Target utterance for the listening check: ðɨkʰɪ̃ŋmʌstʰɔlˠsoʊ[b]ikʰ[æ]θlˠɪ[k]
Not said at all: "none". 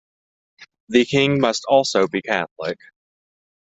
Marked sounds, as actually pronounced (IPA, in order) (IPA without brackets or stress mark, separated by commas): b, æ, k